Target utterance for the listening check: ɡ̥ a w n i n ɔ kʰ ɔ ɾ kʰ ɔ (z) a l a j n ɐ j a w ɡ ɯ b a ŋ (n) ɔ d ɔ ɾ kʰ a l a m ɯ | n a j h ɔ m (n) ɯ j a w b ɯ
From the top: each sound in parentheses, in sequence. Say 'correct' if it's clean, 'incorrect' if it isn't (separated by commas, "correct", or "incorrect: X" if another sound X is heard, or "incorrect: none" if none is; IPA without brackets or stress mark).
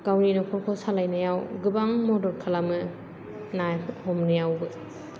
incorrect: s, incorrect: m, correct